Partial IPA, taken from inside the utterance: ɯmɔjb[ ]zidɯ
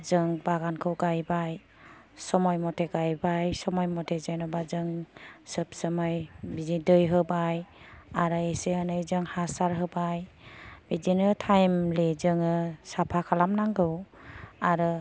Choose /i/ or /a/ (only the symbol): i